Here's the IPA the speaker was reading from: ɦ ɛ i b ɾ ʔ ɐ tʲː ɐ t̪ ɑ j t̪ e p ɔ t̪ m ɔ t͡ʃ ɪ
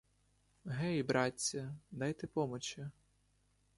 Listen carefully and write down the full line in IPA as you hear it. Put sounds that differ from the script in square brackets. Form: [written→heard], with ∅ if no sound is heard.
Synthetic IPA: ɦ ɛ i b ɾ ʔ [ɐ→ɑ] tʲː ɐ [t̪→d̪] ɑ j t̪ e p ɔ [t̪→∅] m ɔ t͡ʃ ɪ